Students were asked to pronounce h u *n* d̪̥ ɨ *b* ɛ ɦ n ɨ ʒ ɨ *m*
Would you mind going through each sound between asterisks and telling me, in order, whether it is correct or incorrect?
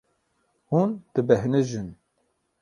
correct, correct, incorrect

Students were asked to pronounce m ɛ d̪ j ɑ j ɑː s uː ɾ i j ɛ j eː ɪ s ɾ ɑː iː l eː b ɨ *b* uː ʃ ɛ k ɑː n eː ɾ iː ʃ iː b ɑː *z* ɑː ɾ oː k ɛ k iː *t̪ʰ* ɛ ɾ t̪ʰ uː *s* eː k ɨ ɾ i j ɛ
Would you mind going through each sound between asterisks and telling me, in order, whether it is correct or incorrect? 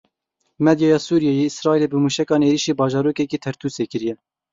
incorrect, incorrect, correct, correct

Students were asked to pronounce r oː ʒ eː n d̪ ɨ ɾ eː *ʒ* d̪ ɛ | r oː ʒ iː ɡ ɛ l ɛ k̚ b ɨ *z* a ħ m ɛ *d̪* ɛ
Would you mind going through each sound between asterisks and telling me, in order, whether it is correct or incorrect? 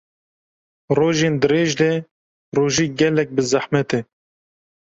correct, correct, incorrect

